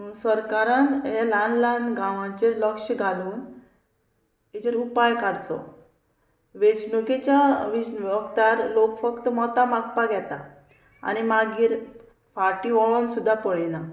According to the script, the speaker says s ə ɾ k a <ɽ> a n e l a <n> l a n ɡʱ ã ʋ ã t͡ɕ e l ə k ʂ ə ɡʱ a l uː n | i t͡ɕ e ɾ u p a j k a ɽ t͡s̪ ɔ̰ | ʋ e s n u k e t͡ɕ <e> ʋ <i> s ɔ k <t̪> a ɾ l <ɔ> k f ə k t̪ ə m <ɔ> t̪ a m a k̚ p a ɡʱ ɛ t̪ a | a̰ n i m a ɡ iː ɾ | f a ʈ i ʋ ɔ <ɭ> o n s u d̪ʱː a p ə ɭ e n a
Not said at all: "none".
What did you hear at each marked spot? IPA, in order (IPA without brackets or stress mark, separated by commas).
ɾ, n, a, i, t̪, o, ɔ, ɭ